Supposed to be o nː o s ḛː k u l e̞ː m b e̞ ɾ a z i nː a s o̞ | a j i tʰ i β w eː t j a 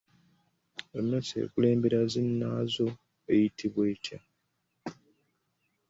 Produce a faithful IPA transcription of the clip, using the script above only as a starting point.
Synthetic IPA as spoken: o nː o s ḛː k u l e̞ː m b e̞ ɾ a z i nː a z o̞ | e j i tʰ i β w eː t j a

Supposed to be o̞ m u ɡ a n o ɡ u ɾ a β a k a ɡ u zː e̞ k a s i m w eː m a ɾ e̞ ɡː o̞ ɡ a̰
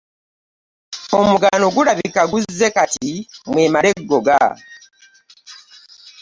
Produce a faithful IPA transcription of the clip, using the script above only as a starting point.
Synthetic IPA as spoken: o̞ m u ɡ a n o ɡ u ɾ a β i k a ɡ u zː e̞ k a t i m w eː m a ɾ e̞ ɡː o̞ ɡ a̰

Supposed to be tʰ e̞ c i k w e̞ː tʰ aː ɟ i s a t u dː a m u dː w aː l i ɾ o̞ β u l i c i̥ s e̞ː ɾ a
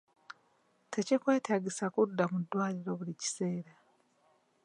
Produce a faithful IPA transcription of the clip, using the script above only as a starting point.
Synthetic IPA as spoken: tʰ e̞ c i k w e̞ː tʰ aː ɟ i s a k u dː a m u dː w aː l i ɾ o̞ β u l i c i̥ s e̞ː ɾ a

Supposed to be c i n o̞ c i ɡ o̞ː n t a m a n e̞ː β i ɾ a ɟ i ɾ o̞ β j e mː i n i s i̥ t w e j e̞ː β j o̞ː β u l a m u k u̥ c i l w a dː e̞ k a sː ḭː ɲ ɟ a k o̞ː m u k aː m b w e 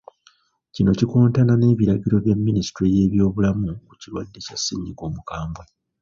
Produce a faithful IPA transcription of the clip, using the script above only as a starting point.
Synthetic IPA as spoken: c i n o̞ c i k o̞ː n t a n a n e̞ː β i ɾ a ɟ i ɾ o̞ β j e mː i n i s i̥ t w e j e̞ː β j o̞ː β u l a m u k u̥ c i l w a dː e̞ c a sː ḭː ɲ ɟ i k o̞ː m u k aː m b w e

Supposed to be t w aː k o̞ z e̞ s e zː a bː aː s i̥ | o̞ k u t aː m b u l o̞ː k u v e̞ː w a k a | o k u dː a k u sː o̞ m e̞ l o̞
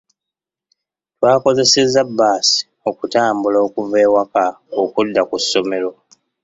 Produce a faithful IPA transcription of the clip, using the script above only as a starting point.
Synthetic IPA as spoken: t w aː k o̞ z e̞ s e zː a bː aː s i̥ | o̞ k u t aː m b u l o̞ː k u v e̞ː w a k a | o k u dː a k u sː o̞ m e̞ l o̞

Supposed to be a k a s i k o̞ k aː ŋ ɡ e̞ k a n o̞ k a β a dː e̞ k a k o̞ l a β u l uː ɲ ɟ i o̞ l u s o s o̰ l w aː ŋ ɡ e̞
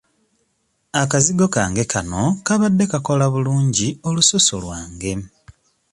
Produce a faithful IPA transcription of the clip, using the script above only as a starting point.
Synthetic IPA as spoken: a k a z i ɡ o̞ k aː ŋ ɡ e̞ k a n o̞ k a β a dː e̞ k a k o̞ l a β u l uː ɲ ɟ i o̞ l u s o s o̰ l w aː ŋ ɡ e̞

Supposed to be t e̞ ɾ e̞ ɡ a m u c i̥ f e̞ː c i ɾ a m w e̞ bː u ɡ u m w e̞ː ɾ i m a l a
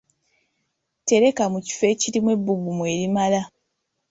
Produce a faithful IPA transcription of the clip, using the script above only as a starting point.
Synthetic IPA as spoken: t e̞ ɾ e̞ k a m u c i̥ f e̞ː c i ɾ i m w e̞ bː u ɡ u m w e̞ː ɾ i m a l a

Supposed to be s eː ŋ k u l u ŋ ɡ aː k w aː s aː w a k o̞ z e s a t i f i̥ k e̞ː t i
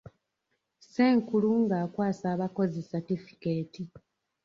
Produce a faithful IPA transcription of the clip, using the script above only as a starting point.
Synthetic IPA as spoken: s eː ŋ k u l u ŋ ɡ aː k w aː s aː β a k o̞ z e s a t i f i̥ k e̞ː t i

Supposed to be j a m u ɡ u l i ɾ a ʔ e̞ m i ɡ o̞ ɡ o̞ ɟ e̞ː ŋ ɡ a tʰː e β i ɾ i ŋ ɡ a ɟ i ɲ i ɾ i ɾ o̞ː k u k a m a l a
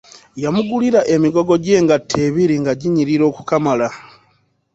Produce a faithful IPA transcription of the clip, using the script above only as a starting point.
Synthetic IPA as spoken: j a m u ɡ u l i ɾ a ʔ e̞ m i ɡ o̞ ɡ o̞ ɟ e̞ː ŋ ɡ a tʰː e β i ɾ i ŋ ɡ a ɟ i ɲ i ɾ i ɾ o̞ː k u k a m a l a

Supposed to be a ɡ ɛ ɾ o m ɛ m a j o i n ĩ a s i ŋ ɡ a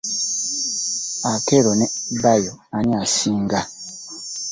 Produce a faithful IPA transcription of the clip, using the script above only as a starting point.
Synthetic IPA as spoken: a k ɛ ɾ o n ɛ b a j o a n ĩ a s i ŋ ɡ a

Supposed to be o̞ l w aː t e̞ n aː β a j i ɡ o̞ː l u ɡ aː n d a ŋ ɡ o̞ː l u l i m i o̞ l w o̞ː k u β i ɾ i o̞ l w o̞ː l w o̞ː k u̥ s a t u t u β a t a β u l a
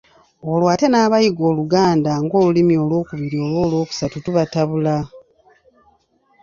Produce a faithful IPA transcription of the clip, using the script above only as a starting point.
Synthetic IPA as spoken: o̞ l w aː t e̞ n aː β a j i ɡ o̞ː l u ɡ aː n d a ŋ ɡ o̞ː l u l i m i o̞ l w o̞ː k u β i ɾ i o̞ l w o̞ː l w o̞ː k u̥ s a t u t u β a t a β u l a

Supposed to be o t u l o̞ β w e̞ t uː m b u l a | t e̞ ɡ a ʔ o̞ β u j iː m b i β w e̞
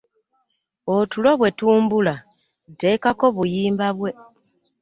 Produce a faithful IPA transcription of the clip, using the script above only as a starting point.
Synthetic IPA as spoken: o t u l o̞ β w e̞ t uː m b u l a | t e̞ k a k o̞ β u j iː m b a β w e̞

